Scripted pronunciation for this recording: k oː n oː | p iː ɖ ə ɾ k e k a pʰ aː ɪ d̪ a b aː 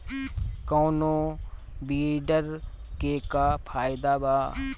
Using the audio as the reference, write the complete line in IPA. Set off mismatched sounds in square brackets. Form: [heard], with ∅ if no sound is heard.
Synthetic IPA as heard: k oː n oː | [b] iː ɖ ə ɾ k e k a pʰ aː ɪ d̪ a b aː